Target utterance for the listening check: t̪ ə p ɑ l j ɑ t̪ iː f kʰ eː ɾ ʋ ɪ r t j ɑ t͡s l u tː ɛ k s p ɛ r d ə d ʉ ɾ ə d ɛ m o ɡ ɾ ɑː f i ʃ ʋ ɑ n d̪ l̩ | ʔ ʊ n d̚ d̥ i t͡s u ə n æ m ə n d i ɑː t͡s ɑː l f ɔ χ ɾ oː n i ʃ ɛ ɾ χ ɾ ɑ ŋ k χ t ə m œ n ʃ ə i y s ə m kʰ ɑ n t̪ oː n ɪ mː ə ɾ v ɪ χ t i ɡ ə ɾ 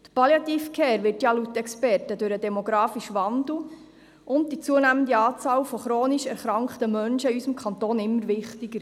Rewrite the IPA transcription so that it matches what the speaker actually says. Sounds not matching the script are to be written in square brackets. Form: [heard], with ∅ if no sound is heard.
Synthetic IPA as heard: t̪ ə p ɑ l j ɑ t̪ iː f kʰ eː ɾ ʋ ɪ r t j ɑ [∅] l u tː ɛ k s p ɛ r [t] ə d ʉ ɾ ə d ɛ m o ɡ ɾ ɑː f i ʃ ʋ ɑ n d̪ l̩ | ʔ ʊ n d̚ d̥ i t͡s u ə n æ m ə n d i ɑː t͡s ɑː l f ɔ χ ɾ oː n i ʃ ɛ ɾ χ ɾ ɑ ŋ k χ t ə m œ n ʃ ə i y s ə m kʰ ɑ n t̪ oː n ɪ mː ə ɾ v ɪ χ t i ɡ ə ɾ

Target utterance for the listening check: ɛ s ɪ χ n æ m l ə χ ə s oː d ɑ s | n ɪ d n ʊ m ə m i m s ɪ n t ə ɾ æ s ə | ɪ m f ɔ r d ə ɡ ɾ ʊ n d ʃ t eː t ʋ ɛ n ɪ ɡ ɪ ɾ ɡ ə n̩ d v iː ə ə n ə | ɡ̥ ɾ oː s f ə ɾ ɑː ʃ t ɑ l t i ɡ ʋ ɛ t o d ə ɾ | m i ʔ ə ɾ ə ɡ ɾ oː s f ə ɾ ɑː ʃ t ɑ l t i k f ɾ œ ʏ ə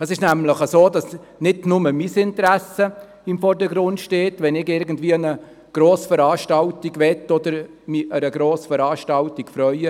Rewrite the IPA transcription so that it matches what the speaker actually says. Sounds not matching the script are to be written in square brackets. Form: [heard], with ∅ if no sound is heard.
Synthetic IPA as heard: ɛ s ɪ [ʃ] n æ m l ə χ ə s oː d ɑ s | n ɪ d n ʊ m ə m i [∅] s ɪ n t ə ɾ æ s ə | ɪ m f ɔ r d ə ɡ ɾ ʊ n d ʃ t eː t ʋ ɛ n ɪ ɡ ɪ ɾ ɡ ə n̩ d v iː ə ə n ə | ɡ̥ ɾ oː s f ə ɾ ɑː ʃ t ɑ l t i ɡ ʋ ɛ t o d ə ɾ | m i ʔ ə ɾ ə ɡ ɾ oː s f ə ɾ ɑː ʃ t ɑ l t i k f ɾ œ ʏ ə

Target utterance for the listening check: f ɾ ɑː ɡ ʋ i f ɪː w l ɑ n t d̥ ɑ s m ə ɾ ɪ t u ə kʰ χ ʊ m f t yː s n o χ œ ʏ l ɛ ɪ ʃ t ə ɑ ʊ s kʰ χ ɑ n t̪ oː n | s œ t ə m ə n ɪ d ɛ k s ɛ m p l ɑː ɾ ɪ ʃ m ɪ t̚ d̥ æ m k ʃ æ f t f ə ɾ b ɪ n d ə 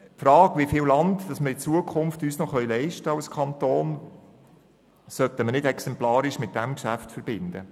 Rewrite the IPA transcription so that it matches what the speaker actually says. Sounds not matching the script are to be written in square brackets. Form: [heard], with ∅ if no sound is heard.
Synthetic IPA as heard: f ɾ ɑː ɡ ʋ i f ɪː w l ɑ n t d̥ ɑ s m ə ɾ ɪ [t͡s] u ə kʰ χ ʊ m f t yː s n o χ œ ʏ l ɛ ɪ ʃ t ə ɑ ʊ s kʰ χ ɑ n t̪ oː n | s œ t ə m ə n ɪ d ɛ k s ɛ m p l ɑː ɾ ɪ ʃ m ɪ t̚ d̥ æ m k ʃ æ f t f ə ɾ b ɪ n d ə

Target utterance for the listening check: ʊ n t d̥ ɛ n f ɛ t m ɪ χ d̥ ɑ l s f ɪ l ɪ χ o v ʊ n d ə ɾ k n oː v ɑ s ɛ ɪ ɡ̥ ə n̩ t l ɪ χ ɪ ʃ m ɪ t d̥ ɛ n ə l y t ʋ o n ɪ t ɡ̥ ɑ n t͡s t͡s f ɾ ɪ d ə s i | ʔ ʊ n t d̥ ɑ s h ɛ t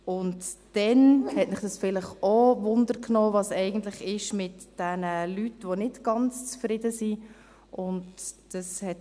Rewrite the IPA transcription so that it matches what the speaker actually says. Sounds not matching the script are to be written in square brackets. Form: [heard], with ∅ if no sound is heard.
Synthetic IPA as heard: ʊ n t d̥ ɛ n [h] ɛ t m ɪ χ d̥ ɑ [∅] s f ɪ l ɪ χ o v ʊ n d ə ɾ k n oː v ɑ s ɛ ɪ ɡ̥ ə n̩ t l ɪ χ ɪ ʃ m ɪ t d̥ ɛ n ə l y t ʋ o n ɪ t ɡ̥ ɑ n t͡s t͡s f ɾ ɪ d ə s i | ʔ ʊ n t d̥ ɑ s h ɛ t

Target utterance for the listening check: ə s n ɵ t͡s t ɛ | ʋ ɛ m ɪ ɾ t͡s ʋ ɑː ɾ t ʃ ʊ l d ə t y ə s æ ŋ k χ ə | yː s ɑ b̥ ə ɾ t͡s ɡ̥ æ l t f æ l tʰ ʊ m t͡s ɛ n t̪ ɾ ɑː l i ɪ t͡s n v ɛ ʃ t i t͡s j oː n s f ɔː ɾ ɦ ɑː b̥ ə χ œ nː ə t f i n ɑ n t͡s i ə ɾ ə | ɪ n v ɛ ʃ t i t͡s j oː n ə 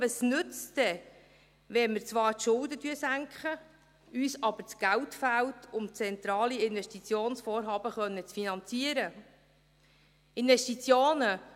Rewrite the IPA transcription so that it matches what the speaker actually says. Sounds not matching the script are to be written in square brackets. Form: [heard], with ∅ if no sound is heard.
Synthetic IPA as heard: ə s n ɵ t͡s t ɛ | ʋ ɛ m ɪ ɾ t͡s ʋ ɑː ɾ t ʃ ʊ l d ə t y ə s æ ŋ k χ ə | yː s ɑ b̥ ə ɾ t͡s ɡ̥ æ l t f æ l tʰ ʊ m t͡s ɛ n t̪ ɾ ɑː l i ɪ [∅] n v ɛ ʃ t i t͡s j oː n s f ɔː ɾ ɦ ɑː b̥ ə χ œ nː ə [t͡s] f i n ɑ n t͡s i ə ɾ ə | ɪ n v ɛ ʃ t i t͡s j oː n ə

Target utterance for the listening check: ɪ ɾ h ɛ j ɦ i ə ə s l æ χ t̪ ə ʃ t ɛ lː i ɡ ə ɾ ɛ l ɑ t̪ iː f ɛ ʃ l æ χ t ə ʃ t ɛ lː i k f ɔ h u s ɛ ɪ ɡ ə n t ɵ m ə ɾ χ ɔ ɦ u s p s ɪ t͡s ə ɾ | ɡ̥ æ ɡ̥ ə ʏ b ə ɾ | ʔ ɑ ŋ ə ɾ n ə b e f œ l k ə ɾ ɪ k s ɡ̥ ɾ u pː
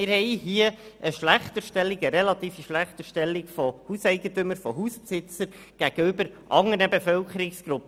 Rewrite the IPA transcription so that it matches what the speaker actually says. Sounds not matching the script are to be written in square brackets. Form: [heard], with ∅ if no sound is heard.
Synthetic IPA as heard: ɪ ɾ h ɛ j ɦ i ə ə [ʃ] l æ χ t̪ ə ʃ t ɛ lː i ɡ ə ɾ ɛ l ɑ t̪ iː f [i] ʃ l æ χ t ə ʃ t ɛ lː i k f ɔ h u s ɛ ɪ ɡ ə n t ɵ m ə ɾ [f] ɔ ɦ u s p s ɪ t͡s ə ɾ | ɡ̥ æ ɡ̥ ə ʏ b ə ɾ | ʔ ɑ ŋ ə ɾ n ə b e f œ l k ə ɾ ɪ k s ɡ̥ ɾ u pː

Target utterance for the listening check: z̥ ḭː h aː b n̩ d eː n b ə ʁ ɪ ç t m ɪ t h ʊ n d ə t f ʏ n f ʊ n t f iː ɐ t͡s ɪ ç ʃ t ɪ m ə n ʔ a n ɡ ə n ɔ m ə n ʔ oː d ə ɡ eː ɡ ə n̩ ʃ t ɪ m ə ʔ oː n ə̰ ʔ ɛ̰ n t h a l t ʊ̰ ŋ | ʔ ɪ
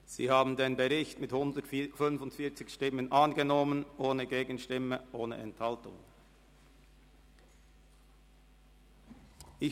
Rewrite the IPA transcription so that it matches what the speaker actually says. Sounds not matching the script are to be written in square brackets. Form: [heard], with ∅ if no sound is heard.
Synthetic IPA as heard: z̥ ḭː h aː b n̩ d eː n b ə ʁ ɪ ç t m ɪ t h ʊ n d ə t f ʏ n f ʊ n t f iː ɐ t͡s ɪ ç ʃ t ɪ m ə n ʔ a n ɡ ə n ɔ m ə n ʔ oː [n] ə ɡ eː ɡ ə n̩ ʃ t ɪ m ə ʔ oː n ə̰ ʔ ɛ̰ n t h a l t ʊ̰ ŋ | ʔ ɪ

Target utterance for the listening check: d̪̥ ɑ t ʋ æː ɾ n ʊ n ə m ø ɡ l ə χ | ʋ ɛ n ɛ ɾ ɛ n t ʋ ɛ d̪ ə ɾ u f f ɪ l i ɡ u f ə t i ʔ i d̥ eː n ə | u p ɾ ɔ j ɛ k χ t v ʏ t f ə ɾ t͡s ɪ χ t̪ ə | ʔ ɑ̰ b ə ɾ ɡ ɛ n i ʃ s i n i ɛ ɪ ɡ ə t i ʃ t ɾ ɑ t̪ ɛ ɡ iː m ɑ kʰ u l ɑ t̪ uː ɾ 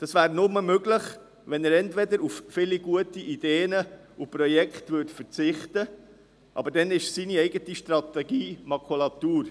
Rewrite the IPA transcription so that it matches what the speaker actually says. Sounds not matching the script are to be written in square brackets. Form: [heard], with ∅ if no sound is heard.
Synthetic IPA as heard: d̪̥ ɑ [s] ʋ æː ɾ n ʊ [m] ə m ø ɡ l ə χ | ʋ ɛ n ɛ ɾ ɛ n t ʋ ɛ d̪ ə ɾ u f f ɪ l i ɡ u [∅] ə t i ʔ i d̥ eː n ə | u p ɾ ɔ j ɛ k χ t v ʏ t f ə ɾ t͡s ɪ χ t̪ ə | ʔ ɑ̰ b ə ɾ [d] ɛ n [ɪ] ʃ s i n i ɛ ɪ ɡ ə t i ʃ t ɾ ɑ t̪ ɛ ɡ iː m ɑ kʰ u l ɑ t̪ uː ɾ

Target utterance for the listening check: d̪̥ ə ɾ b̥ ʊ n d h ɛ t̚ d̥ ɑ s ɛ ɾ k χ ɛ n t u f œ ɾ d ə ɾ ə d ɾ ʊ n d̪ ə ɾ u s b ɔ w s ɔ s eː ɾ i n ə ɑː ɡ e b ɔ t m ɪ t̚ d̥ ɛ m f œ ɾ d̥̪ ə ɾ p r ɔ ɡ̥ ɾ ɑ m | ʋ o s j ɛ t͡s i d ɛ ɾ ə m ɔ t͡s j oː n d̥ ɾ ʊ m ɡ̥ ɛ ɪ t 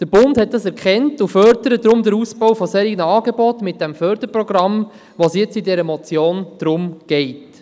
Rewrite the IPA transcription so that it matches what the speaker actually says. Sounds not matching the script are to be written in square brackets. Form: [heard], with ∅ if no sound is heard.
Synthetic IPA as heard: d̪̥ ə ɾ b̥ ʊ n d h ɛ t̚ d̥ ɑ s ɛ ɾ k χ ɛ n t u f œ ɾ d ə ɾ ə d ɾ ʊ [m] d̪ ə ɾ u s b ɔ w [f] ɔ s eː ɾ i n ə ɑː ɡ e b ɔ t m ɪ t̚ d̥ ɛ m f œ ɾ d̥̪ ə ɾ p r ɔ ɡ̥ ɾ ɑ m | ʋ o s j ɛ t͡s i d ɛ ɾ ə m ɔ t͡s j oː n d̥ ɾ ʊ m ɡ̥ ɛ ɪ t

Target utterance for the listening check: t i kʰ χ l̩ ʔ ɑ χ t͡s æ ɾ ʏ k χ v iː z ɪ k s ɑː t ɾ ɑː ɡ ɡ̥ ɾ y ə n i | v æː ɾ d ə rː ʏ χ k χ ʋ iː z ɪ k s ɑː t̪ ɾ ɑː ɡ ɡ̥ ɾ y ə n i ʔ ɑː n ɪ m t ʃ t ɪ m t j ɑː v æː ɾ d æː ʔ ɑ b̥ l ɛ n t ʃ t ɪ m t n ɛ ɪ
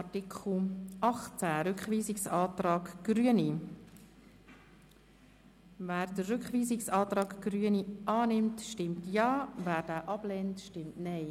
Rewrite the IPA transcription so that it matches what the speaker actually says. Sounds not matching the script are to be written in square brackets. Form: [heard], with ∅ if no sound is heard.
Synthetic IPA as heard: t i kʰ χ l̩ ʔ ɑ χ t͡s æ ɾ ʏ k χ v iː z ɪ k s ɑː t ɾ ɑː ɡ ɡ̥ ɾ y ə n i | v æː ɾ d ə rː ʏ [∅] k χ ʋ iː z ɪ k s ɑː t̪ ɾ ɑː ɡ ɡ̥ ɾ y ə n i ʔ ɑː n ɪ m t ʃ t ɪ m t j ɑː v æː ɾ d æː ʔ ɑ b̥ l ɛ n t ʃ t ɪ m t n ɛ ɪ

